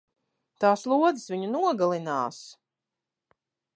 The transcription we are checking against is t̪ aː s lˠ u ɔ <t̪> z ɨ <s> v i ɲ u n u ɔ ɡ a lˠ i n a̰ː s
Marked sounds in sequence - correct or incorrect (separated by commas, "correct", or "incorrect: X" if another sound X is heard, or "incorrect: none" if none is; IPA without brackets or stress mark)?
incorrect: d̪, correct